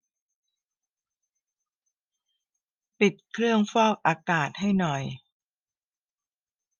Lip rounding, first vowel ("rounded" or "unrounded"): unrounded